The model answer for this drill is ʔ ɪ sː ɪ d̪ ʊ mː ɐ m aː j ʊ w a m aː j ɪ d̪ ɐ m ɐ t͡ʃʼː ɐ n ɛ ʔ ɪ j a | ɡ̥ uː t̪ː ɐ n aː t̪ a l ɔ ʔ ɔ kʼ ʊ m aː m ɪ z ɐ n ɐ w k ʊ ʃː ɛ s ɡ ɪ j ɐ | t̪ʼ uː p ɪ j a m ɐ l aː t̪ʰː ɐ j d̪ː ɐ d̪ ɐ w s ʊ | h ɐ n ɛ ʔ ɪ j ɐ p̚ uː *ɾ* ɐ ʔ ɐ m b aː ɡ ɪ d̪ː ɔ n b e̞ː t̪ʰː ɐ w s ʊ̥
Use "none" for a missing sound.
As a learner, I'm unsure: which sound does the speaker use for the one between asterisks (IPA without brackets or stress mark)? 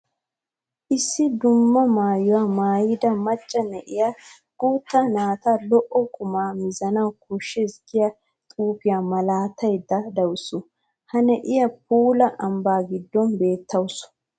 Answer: l